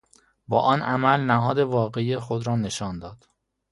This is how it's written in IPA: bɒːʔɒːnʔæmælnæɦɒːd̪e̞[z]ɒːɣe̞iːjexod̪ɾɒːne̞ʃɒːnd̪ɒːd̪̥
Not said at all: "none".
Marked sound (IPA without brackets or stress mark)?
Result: v